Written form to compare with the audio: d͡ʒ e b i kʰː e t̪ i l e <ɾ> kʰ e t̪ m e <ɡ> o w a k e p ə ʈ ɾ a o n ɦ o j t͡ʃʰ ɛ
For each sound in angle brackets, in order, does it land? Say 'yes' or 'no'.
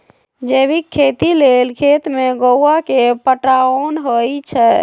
no, yes

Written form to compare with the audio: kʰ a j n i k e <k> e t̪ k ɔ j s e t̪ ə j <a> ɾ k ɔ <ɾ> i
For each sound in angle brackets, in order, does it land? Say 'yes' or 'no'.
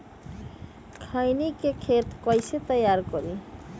no, yes, yes

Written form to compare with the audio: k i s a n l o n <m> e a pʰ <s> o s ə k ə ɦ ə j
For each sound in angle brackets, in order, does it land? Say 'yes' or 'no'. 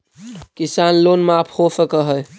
yes, no

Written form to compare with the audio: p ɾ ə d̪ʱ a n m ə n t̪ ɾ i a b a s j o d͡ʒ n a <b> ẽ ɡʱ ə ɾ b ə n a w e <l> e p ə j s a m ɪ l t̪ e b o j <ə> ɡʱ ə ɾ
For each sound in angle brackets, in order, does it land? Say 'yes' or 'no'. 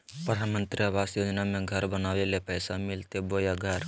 no, yes, no

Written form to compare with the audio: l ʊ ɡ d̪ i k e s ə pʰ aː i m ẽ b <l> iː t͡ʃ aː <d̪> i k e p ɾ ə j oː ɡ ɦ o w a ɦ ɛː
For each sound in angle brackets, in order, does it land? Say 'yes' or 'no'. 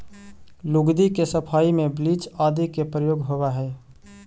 yes, yes

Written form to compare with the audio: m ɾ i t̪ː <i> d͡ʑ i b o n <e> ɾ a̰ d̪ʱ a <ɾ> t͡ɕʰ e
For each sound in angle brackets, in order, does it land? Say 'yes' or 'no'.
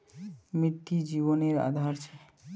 yes, yes, yes

